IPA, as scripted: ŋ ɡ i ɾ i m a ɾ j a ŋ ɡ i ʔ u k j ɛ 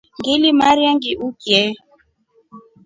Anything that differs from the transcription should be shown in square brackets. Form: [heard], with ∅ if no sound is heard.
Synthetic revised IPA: ŋ ɡ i [l] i m a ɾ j a ŋ ɡ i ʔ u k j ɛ